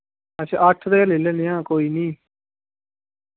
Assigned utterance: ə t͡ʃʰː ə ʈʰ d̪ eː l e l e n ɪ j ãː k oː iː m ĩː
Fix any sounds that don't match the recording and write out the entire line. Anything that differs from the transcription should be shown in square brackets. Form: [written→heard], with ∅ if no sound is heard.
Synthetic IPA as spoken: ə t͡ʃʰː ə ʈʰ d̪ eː l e l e n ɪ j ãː k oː iː [m→n] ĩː